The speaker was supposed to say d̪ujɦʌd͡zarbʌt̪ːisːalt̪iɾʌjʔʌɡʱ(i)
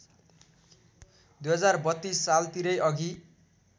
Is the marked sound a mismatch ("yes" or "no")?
no